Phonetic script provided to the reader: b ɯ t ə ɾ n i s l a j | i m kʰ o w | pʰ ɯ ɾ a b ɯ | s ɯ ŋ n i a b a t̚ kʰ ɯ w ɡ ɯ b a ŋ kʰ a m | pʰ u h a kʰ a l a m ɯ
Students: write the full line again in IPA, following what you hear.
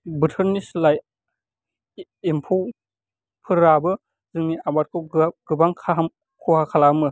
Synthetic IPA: b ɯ tʰ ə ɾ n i s l a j | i m pʰ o w | pʰ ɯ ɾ a b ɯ | z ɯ ŋ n i a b a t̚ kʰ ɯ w ɡ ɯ b a ŋ kʰ a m | kʰ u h a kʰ a l a m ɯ